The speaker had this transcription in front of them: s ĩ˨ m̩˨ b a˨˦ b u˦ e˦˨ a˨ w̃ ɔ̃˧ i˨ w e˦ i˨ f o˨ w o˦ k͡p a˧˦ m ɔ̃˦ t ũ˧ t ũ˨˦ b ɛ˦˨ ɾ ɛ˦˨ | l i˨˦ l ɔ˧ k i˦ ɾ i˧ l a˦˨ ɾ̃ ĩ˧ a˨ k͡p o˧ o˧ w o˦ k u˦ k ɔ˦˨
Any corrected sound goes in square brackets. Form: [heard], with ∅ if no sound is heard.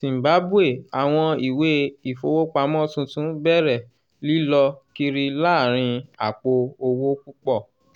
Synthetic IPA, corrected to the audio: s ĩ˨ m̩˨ b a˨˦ b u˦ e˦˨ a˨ w̃ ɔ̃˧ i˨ w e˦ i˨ f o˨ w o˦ k͡p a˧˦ m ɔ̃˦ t ũ˧ t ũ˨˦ b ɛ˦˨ ɾ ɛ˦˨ | l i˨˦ l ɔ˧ k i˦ ɾ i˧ l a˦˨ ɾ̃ ĩ˧ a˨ k͡p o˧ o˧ w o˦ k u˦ [k͡p] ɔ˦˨